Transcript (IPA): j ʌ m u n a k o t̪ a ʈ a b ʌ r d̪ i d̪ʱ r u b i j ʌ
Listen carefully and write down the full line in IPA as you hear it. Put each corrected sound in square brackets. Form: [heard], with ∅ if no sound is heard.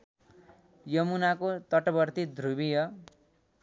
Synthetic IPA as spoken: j ʌ m u n a k o t̪ [ʌ] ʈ [ʌ] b ʌ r [t̪] i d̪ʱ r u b i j ʌ